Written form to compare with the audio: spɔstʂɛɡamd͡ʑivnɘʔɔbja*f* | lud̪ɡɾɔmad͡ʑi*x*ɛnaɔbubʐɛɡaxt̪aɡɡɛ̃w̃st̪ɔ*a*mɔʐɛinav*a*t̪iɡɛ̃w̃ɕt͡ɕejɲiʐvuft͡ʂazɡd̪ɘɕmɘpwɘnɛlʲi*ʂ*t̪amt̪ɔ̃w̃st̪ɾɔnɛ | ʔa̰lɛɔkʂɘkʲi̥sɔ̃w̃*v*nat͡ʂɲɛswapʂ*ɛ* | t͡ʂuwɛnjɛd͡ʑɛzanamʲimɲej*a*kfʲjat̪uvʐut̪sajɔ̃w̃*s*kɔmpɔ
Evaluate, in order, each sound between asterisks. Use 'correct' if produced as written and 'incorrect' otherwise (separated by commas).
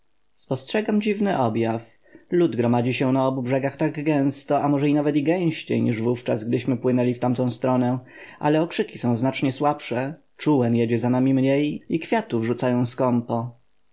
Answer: correct, incorrect, correct, incorrect, incorrect, incorrect, correct, incorrect, correct